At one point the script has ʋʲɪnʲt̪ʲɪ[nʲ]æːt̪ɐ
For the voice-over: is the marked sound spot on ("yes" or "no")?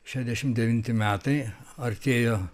no